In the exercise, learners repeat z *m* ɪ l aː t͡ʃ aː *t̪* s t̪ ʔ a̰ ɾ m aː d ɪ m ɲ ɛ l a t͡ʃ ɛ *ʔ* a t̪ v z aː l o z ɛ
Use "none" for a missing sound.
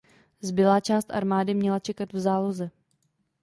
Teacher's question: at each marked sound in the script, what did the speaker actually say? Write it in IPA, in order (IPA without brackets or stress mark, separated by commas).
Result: b, none, k